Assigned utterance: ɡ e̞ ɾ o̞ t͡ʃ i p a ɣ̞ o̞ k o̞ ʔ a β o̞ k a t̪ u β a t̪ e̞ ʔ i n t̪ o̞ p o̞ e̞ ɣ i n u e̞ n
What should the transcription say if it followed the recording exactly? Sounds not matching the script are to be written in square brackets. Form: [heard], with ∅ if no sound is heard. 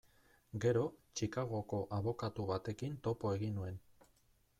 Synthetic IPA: ɡ e̞ ɾ o̞ t͡ʃ i [k] a ɣ̞ o̞ k o̞ ʔ a β o̞ k a t̪ u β a t̪ e̞ [k] i n t̪ o̞ p o̞ e̞ ɣ i n u e̞ n